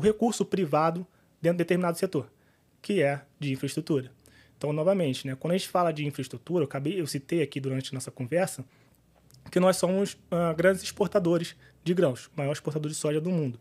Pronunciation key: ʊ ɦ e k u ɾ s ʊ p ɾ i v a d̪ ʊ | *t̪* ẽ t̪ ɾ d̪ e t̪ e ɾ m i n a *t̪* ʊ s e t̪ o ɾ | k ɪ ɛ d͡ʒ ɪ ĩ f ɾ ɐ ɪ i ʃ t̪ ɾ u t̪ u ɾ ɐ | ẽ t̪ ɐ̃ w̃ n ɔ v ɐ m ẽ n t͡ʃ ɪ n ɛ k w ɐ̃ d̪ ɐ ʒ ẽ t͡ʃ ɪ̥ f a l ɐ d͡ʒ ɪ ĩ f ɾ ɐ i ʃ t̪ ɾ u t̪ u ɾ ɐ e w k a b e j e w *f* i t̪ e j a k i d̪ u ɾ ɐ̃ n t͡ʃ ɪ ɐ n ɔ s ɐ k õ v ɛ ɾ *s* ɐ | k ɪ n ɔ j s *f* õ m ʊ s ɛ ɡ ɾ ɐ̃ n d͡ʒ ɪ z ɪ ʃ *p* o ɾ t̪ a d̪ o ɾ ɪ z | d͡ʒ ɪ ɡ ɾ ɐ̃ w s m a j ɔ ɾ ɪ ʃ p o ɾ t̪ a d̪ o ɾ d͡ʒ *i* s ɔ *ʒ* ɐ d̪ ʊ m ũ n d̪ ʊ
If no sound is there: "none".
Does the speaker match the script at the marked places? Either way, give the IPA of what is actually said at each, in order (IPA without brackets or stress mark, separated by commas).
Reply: d̪, d̪, s, s, s, p, ɪ, ʒ